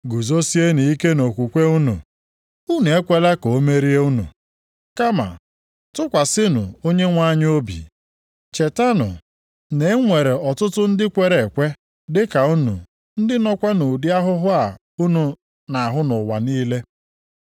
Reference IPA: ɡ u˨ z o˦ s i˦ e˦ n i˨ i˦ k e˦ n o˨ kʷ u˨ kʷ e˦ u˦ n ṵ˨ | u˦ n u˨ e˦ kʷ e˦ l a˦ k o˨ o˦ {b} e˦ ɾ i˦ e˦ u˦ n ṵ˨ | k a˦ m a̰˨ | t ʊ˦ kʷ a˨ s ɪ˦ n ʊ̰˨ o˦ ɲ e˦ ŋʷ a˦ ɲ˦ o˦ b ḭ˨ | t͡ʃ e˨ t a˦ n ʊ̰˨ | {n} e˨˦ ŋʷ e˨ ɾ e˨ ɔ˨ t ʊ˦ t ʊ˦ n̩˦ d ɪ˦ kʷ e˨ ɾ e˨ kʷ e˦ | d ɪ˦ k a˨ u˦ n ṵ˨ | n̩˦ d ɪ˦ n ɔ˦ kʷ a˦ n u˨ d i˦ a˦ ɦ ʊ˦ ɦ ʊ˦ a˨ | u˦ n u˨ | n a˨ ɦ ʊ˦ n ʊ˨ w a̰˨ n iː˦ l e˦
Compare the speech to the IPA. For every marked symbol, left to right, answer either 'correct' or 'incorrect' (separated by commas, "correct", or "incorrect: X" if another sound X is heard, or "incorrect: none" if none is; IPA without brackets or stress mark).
incorrect: m, correct